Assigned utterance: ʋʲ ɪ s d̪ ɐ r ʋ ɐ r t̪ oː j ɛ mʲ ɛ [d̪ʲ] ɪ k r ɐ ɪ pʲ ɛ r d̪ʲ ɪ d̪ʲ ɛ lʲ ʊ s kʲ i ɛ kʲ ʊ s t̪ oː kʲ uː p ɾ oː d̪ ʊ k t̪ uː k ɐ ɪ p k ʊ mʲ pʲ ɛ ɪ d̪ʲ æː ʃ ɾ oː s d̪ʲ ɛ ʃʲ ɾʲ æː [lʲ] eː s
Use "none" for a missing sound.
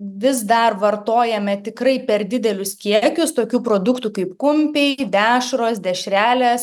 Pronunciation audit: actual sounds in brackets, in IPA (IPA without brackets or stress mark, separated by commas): t̪ʲ, lʲ